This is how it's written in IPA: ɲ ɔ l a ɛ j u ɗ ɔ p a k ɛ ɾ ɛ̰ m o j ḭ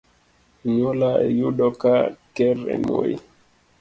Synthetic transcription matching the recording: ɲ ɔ l a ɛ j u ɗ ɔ k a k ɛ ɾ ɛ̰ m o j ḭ